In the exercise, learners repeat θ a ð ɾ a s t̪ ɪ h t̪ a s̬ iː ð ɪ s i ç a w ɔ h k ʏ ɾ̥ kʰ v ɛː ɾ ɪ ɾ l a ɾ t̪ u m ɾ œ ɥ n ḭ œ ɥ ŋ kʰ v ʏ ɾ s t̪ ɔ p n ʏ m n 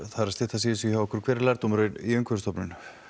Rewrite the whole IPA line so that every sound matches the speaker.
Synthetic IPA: θ a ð ɾ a s t̪ ɪ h t̪ a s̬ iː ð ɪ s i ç a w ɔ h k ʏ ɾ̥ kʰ v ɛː ɾ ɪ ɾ l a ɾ t̪ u m ɾ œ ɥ n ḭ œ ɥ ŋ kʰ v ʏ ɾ s t̪ ɔ p n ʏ n